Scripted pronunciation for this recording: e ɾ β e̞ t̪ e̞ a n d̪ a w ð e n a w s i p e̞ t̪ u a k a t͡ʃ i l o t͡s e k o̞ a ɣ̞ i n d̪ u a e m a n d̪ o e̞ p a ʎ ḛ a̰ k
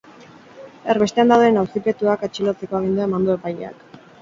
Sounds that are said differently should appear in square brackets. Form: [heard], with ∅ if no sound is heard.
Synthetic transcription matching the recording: e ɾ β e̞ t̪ e̞ a n d̪ a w ð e n a w s i p e̞ t̪ u a k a t͡ʃ i l o t͡s e k o̞ a ɣ̞ i n d̪ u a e m a n d̪ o e̞ p a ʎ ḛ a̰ k